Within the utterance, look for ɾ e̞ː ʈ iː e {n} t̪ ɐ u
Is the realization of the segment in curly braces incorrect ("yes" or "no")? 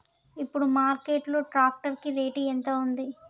no